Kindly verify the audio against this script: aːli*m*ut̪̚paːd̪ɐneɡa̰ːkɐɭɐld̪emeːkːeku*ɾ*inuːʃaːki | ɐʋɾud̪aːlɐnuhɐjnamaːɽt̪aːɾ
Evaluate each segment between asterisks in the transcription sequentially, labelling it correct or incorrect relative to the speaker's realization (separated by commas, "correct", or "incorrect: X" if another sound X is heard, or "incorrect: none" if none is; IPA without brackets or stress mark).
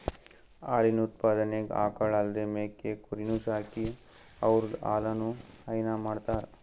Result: incorrect: n, correct